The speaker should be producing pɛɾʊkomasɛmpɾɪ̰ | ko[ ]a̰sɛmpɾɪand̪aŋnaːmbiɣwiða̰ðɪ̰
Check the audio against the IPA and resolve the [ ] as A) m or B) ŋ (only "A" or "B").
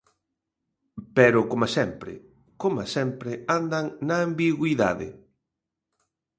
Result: A